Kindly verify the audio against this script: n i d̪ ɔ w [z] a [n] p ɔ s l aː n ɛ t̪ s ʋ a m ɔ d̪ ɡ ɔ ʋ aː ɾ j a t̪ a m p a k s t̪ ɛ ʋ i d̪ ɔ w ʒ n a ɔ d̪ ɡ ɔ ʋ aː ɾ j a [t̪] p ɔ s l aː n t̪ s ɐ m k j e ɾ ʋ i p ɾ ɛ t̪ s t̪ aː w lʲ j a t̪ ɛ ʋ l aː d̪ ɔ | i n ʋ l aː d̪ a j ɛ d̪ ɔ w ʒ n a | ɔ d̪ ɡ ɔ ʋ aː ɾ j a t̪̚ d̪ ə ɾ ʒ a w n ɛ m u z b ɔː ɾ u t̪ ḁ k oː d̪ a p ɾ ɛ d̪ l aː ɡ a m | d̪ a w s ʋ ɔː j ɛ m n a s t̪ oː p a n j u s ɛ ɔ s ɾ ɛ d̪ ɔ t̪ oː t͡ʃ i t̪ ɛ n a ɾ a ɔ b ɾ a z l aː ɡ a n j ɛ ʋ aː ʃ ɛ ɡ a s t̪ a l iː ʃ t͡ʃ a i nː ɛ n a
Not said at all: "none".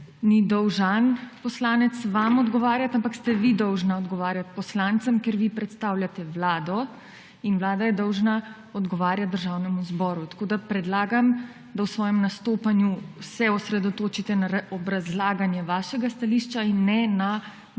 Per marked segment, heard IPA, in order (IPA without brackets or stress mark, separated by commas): ʒ, n, t̪